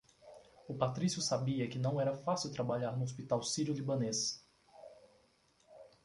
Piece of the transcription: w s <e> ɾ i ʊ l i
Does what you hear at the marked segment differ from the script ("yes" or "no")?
yes